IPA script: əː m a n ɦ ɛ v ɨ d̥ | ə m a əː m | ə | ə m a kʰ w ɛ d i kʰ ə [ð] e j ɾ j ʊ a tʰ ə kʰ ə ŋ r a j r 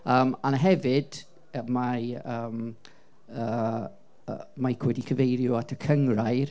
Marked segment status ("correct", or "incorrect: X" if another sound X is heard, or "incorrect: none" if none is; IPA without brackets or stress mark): incorrect: v